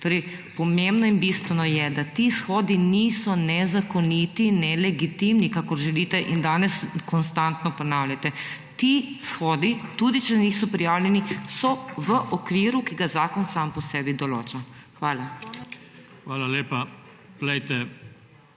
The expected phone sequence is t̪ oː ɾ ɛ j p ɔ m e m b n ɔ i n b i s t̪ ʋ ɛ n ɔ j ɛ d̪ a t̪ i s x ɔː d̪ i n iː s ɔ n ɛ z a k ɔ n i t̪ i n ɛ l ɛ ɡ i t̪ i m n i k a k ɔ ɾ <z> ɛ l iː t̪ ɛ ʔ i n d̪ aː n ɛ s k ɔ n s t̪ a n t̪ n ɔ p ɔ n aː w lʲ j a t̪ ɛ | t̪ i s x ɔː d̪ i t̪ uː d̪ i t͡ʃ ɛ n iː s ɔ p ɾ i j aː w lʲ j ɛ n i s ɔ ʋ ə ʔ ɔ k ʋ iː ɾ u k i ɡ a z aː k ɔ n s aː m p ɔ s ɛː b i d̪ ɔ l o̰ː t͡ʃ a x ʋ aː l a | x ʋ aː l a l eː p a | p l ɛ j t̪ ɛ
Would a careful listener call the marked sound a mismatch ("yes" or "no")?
yes